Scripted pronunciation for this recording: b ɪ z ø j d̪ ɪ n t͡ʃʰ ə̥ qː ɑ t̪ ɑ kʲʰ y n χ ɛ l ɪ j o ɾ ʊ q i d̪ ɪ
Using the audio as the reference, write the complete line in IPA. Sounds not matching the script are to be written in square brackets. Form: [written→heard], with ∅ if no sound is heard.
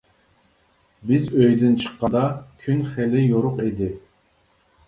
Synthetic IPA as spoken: b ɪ z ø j d̪ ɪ n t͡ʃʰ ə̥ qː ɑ [t̪→d̪] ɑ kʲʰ y n χ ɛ l ɪ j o ɾ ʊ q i d̪ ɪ